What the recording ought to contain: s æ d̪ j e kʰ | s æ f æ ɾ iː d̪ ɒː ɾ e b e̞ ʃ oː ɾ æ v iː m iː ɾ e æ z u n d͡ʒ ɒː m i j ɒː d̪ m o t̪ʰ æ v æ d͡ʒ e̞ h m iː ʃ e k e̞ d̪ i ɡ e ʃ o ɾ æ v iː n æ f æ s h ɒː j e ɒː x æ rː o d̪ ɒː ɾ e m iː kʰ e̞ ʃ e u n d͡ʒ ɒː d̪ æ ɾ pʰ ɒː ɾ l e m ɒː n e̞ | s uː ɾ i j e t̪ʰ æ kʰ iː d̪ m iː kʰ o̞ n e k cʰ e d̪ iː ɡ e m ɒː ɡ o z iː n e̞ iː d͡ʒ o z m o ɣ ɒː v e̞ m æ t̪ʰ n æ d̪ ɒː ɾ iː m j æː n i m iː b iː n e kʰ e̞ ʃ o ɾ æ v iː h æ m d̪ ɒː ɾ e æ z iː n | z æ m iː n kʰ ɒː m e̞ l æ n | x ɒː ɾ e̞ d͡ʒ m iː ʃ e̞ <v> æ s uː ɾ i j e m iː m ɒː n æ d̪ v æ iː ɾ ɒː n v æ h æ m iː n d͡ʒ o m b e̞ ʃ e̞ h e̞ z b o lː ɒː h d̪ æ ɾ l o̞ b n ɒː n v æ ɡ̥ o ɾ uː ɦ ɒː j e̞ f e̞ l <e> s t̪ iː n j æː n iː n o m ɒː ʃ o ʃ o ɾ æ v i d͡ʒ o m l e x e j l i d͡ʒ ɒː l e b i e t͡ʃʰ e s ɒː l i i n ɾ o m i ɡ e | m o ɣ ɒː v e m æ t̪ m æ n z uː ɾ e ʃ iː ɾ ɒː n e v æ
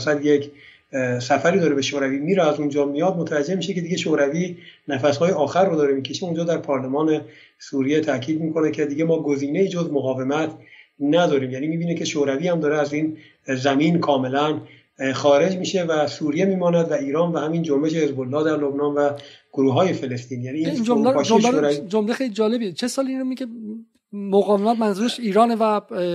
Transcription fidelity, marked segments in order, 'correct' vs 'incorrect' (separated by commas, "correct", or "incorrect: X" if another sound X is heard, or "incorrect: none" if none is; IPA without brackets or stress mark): correct, correct